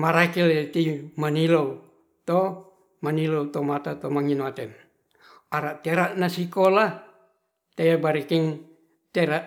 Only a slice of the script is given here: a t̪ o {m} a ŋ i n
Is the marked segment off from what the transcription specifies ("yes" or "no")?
no